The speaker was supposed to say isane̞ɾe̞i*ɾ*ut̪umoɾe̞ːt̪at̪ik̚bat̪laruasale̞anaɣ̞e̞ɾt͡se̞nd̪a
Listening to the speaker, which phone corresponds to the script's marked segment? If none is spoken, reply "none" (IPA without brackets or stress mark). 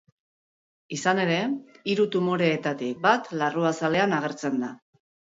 ɾ